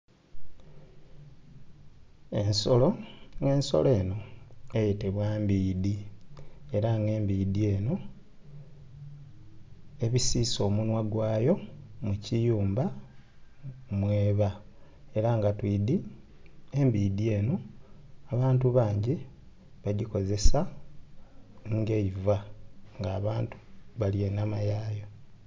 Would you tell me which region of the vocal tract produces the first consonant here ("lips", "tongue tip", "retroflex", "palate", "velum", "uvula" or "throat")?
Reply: tongue tip